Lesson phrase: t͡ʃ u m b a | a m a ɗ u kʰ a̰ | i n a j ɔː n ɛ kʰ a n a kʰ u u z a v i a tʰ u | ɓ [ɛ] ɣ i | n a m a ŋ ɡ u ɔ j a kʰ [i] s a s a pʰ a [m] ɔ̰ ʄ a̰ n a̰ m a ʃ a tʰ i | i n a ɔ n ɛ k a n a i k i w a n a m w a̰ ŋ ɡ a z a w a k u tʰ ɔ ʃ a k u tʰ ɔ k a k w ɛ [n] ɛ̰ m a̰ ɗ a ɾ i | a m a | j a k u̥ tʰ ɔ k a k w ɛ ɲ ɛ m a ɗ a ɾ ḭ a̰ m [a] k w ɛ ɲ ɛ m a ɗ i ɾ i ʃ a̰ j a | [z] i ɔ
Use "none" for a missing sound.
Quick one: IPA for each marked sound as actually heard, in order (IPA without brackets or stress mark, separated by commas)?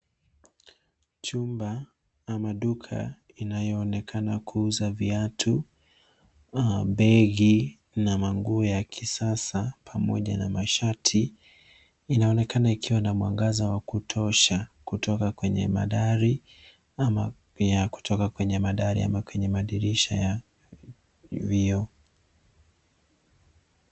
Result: ɛ, i, m, ɲ, a, v